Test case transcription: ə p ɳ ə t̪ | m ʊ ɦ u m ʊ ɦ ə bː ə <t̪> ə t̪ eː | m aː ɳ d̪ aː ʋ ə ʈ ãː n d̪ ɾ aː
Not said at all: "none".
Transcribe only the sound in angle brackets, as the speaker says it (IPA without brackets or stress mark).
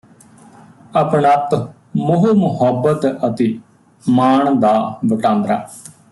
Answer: t̪